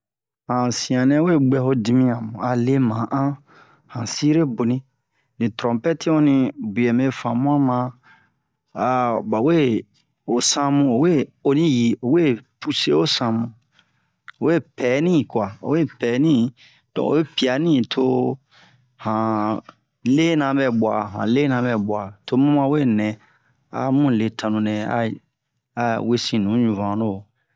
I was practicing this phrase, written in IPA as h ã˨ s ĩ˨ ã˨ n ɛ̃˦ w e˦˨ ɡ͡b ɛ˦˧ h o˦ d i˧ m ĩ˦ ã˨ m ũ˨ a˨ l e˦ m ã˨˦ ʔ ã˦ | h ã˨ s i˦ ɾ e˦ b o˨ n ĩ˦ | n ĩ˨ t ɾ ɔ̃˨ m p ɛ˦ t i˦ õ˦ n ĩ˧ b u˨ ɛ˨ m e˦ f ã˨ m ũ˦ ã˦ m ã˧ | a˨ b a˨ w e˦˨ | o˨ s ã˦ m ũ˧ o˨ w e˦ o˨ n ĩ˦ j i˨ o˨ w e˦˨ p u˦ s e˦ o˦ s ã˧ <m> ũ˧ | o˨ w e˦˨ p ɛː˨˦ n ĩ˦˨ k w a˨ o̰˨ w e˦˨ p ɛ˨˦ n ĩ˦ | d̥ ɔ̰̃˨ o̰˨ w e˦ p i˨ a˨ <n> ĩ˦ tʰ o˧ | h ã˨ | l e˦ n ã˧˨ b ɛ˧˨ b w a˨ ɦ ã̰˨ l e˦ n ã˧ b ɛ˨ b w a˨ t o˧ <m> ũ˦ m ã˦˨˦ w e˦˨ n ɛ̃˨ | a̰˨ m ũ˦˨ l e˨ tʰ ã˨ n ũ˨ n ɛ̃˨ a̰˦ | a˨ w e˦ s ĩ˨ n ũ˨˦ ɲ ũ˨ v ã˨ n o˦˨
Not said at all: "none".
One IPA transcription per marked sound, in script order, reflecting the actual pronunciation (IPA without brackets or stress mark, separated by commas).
m, n, m